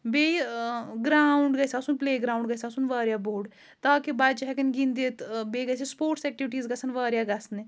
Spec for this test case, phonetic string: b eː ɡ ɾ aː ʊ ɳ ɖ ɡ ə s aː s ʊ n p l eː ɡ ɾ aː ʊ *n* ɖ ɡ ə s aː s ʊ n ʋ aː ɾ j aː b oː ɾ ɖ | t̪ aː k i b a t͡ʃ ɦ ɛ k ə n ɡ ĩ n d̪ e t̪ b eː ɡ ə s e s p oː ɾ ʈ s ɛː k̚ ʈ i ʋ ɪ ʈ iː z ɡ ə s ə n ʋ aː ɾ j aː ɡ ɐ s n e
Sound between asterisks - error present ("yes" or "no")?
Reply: yes